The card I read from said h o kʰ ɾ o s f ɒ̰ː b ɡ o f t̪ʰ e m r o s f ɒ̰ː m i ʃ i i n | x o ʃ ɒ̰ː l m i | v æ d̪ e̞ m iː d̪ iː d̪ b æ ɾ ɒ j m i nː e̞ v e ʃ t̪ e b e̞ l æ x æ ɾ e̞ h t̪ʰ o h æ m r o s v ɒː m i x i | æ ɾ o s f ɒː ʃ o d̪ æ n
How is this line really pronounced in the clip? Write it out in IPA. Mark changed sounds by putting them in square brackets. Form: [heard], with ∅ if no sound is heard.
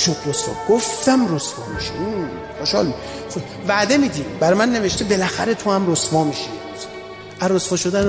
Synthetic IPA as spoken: [ʃ] o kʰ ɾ o s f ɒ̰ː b ɡ o f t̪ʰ [æ] m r o s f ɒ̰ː m i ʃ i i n | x o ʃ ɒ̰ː l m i | v æ d̪ e̞ m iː d̪ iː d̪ b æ ɾ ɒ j m [æ] nː e̞ v e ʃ t̪ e b e̞ l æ x æ ɾ e̞ [∅] t̪ʰ o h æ m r o s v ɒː m i [ʃ] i | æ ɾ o s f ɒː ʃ o d̪ æ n